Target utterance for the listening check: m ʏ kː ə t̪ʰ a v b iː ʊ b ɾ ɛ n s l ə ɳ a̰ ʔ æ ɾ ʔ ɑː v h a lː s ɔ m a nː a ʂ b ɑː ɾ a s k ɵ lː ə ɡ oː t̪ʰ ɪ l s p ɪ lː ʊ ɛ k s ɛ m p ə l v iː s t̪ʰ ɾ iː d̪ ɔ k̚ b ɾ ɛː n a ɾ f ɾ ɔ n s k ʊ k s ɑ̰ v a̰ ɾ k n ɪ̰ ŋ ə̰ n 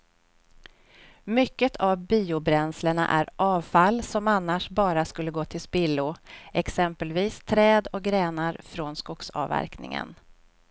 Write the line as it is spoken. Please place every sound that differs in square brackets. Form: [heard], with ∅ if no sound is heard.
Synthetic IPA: m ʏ kː ə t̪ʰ a v b iː ʊ b ɾ ɛ n s l ə ɳ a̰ ʔ æ ɾ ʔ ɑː v [f] a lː s ɔ m a nː a ʂ b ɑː ɾ a s k ɵ lː ə ɡ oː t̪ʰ ɪ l s p ɪ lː ʊ ɛ k s ɛ m p ə l v iː s t̪ʰ ɾ [ɛː] d̪ ɔ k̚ [ɡ] ɾ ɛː n a ɾ f ɾ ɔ n s k ʊ k s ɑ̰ v [æ̰] ɾ k n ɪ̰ ŋ ə̰ n